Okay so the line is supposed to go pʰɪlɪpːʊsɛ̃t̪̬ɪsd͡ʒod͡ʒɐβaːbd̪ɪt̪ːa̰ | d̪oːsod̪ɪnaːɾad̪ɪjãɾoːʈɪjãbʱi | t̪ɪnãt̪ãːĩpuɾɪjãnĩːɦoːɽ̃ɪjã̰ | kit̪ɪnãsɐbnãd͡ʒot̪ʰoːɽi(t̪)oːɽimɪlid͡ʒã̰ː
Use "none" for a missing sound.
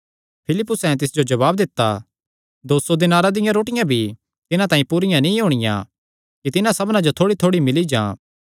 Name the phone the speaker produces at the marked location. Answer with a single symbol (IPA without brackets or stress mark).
t̪ʰ